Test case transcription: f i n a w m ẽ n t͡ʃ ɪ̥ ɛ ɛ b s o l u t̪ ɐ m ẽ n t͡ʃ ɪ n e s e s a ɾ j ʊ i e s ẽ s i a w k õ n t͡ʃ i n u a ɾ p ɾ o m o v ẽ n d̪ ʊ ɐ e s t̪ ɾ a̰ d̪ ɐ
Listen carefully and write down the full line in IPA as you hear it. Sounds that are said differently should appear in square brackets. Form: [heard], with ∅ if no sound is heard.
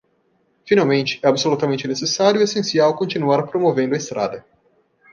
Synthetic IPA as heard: f i n a w m ẽ n t͡ʃ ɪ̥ ɛ [a] b s o l u t̪ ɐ m ẽ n t͡ʃ ɪ n e s e s a ɾ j ʊ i e s ẽ s i a w k õ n t͡ʃ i n u a ɾ p ɾ o m o v ẽ n d̪ ʊ ɐ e s t̪ ɾ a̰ d̪ ɐ